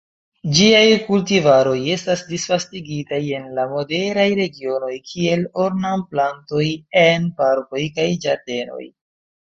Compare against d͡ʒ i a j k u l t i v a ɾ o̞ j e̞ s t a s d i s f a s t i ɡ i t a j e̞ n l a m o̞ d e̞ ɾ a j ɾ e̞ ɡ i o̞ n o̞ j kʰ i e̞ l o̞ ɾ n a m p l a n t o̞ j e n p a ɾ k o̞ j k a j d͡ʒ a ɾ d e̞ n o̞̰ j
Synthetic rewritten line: d͡ʒ i a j k u l t i v a ɾ o̞ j e̞ s t a s d i s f a s t i ɡ i t a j e̞ n l a m o̞ d e̞ ɾ a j ɾ e̞ ɡ i o̞ n o̞ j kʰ i e̞ l o̞ ɾ n a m p l a n t o̞ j e n p a ɾ k o̞ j k a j d͡ʒ a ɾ d e̞ n o̞̰ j